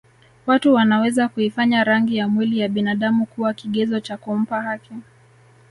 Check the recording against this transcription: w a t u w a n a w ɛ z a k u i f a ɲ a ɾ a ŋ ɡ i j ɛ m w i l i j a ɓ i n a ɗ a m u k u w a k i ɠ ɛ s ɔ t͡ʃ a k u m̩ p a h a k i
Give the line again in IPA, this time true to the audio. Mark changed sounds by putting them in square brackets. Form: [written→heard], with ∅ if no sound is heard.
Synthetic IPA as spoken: w a t u w a n a w ɛ z a k u i f a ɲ a ɾ a ŋ ɡ i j [ɛ→a] m w i l i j a ɓ i n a ɗ a m u k u w a k i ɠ ɛ [s→z] ɔ t͡ʃ a k u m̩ p a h a k i